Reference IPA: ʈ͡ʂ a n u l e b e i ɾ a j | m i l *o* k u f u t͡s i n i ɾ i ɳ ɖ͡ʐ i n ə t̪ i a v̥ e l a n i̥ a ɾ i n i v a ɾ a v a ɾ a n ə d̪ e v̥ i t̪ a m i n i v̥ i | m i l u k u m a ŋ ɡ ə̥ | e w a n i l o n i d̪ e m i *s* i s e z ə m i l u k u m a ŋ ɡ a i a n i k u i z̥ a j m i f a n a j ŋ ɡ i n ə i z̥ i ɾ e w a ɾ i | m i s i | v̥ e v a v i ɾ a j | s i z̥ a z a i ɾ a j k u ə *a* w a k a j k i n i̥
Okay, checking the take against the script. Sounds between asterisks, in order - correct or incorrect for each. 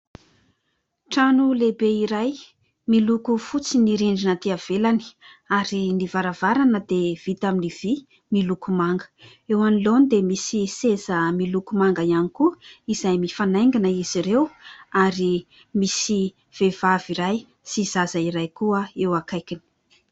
incorrect: u, correct, incorrect: e

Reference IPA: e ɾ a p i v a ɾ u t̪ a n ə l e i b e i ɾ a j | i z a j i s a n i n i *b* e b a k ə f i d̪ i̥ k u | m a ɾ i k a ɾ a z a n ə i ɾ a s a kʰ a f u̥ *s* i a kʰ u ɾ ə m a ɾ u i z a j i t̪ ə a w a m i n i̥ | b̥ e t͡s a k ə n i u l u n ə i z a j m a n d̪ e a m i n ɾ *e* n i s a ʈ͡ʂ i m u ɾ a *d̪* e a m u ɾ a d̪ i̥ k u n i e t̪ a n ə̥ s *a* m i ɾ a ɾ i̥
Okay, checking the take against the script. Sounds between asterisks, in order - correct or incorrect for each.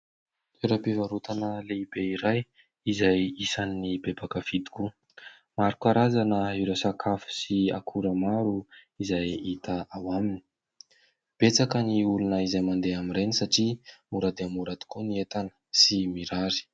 correct, correct, correct, correct, incorrect: i

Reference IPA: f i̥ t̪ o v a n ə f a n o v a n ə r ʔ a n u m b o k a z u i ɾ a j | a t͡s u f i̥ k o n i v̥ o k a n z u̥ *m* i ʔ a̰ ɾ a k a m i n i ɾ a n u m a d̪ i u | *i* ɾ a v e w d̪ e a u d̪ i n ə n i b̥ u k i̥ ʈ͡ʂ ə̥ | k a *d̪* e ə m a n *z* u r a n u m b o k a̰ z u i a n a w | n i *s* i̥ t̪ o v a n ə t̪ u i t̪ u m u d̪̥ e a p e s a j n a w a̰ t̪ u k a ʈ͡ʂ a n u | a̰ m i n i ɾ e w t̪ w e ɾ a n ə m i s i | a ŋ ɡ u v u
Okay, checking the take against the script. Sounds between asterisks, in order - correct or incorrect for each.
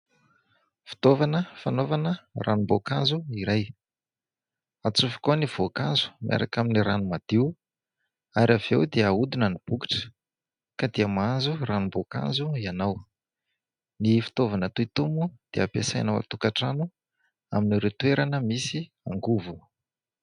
correct, incorrect: a, correct, correct, incorrect: f

